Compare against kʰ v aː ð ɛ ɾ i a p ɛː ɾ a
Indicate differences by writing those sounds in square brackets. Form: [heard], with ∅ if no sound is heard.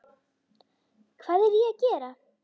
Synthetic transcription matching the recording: kʰ v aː ð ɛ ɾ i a [c] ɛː ɾ a